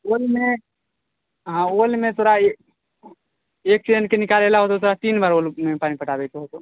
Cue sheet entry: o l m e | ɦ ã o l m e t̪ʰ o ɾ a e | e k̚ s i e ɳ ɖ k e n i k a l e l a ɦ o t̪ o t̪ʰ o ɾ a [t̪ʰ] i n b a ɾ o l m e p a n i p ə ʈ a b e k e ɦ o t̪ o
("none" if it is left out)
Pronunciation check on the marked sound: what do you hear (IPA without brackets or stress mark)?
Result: t̪